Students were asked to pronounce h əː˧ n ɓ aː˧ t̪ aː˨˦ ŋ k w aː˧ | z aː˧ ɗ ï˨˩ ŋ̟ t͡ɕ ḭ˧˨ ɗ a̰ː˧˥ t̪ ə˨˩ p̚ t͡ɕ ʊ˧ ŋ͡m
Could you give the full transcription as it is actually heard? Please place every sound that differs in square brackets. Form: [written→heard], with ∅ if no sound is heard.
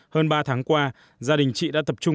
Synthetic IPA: h əː˧ n ɓ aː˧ [t̪→t̪ʰ] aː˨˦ ŋ k w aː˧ | z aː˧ ɗ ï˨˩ ŋ̟ t͡ɕ ḭ˧˨ ɗ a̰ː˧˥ t̪ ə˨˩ p̚ t͡ɕ ʊ˧ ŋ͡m